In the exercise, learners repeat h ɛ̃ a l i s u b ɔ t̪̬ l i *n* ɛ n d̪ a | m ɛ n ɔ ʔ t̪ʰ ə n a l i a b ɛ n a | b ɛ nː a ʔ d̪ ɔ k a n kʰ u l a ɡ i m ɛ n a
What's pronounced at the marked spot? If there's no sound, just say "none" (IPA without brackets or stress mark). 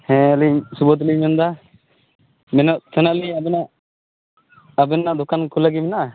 m